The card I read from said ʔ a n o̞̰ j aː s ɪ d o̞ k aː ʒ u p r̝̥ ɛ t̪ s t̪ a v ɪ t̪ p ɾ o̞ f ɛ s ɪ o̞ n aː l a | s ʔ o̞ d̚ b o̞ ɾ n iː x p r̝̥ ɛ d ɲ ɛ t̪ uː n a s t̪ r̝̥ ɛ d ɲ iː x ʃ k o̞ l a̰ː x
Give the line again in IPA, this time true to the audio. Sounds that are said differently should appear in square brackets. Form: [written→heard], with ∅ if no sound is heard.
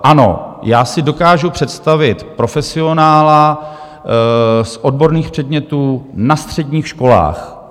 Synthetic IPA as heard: ʔ a n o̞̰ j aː s ɪ d o̞ k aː ʒ u p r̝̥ ɛ t̪ s t̪ a v ɪ t̪ p ɾ o̞ f ɛ s ɪ o̞ n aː l a | s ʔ o̞ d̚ b o̞ ɾ n iː x p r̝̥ ɛ d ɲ ɛ t̪ uː n a s t̪ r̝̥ ɛ d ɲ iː x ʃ k o̞ l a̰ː x